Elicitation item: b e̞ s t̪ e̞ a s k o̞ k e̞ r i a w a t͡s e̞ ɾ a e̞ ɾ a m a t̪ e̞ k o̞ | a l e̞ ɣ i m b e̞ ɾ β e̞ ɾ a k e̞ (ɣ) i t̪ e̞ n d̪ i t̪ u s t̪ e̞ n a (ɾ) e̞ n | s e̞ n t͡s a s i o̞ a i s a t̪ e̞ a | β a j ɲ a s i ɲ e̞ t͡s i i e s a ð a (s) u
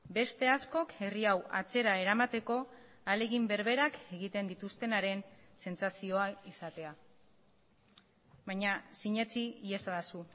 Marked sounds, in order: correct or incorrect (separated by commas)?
correct, correct, correct